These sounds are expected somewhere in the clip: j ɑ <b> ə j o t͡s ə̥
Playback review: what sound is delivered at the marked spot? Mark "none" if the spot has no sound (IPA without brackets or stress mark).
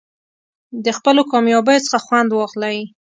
b